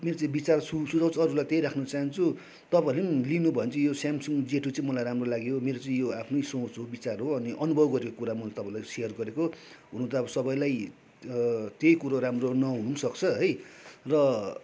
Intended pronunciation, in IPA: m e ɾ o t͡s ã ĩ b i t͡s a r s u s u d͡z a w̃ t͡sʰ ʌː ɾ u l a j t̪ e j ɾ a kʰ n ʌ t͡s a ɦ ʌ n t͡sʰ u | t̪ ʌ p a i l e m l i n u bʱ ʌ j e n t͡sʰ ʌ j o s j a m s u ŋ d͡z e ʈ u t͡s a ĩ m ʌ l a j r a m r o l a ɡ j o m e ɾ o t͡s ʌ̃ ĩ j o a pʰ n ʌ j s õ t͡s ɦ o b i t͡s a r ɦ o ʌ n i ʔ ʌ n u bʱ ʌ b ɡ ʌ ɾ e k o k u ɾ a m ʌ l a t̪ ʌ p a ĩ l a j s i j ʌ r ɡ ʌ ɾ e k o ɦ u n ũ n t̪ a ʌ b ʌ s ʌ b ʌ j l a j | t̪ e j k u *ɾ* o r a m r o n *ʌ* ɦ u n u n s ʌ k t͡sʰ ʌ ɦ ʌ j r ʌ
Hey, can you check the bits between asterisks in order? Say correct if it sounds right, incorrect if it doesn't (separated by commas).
correct, correct